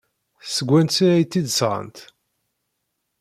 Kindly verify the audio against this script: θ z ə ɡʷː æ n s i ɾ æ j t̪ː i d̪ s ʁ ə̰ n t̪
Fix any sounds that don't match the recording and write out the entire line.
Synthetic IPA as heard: θ s ə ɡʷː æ n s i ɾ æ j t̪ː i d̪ s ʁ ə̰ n t̪